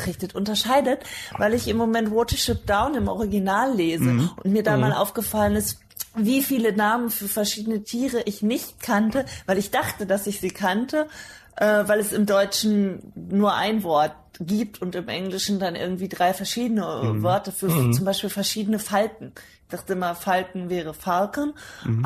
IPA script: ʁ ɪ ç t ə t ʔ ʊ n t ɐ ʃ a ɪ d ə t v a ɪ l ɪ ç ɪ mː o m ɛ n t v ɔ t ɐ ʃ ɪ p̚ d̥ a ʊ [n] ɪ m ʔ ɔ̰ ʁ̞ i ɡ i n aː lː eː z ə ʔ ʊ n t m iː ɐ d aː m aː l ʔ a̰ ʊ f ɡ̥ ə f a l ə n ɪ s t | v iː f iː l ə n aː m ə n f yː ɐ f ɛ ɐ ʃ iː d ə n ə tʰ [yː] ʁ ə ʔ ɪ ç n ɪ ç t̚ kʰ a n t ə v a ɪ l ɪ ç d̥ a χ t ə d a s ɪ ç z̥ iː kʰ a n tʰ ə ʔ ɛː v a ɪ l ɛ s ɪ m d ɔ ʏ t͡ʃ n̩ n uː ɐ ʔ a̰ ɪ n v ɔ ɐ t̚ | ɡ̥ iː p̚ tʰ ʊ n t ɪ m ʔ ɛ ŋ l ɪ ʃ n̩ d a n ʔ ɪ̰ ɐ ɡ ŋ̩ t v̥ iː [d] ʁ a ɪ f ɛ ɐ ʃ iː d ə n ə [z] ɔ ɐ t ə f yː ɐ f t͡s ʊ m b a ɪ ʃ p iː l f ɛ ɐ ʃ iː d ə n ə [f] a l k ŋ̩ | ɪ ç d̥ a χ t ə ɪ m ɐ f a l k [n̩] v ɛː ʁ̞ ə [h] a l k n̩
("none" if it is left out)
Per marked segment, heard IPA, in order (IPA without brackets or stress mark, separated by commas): n, iː, d, v, f, ŋ̩, f